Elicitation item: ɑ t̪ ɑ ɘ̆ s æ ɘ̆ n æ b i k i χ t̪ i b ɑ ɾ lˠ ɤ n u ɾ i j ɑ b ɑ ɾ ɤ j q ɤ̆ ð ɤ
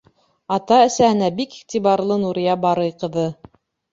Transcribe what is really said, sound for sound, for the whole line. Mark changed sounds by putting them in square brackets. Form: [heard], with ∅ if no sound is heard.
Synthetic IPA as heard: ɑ t̪ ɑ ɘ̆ s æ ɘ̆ n æ b i k i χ t̪ i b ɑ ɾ lˠ ɤ n u ɾ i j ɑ b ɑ ɾ ɤ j q ɤ̆ ð ɤ